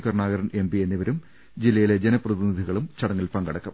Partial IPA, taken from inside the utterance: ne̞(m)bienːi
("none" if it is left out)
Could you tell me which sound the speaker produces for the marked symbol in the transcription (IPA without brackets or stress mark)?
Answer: m